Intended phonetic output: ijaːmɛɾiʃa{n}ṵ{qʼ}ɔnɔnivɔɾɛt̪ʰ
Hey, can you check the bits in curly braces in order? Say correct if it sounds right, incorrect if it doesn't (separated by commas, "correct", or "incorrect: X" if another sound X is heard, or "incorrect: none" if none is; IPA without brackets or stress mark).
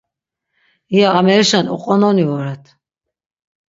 correct, correct